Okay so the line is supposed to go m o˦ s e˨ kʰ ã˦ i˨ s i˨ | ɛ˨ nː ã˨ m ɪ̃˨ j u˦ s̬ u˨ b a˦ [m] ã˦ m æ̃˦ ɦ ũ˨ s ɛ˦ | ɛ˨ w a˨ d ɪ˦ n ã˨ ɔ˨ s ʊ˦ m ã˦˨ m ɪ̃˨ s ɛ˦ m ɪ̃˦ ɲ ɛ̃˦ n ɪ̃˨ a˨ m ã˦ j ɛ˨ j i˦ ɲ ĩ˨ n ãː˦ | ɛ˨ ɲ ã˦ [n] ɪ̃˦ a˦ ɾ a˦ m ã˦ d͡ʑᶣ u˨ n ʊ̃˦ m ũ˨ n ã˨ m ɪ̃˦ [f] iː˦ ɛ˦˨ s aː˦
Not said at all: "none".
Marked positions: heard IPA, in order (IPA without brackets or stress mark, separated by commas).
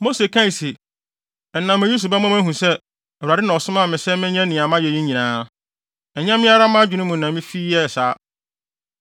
m, m, f